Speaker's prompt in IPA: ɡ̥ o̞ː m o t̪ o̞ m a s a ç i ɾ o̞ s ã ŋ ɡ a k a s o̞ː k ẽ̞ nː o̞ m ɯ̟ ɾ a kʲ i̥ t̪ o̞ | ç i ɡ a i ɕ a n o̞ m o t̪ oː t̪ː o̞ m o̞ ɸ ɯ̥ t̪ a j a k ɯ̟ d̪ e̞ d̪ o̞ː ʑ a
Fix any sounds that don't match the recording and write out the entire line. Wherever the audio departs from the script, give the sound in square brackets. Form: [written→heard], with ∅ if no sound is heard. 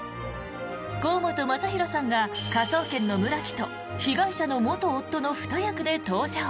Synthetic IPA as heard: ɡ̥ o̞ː m o t̪ o̞ m a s a ç i ɾ o̞ s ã ŋ ɡ a k a s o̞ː k ẽ̞ nː o̞ m ɯ̟ ɾ a kʲ i̥ t̪ o̞ | ç i ɡ a i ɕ a n o̞ m o t̪ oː t̪ː o̞ [m→n] o̞ ɸ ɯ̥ t̪ a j a k ɯ̟ d̪ e̞ [d̪→t̪] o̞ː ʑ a